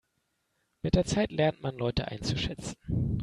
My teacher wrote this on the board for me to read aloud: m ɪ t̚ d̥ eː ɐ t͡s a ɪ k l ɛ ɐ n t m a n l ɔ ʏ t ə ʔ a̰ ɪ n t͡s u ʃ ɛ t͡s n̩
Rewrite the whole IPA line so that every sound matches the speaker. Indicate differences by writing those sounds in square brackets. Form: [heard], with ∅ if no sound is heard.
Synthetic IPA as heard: m ɪ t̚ d̥ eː ɐ t͡s a ɪ [t] l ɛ ɐ n t m a n l ɔ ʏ t ə ʔ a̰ ɪ n t͡s u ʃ ɛ t͡s n̩